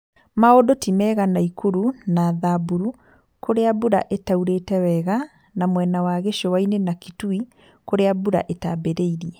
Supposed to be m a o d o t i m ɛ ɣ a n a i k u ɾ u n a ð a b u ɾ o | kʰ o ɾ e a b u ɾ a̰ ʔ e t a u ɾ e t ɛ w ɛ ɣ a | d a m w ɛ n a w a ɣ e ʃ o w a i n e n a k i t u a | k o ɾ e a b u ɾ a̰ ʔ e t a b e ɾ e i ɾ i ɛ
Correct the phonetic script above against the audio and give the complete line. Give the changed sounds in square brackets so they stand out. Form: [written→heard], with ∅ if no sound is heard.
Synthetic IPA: m a o d o t i m ɛ ɣ a n a i k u ɾ u n a ð a b u ɾ [o→u] | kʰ o ɾ e a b u ɾ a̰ ʔ e t a u ɾ e t ɛ w ɛ ɣ a | [d→n] a m w ɛ n a w a ɣ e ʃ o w a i n e n a k i t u [a→i] | k o ɾ e a b u ɾ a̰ ʔ e t a b e ɾ e i ɾ i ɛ